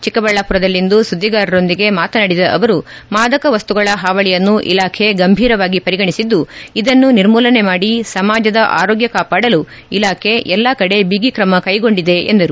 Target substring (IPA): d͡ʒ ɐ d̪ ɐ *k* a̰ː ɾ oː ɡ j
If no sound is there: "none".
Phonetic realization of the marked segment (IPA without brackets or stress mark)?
ʔ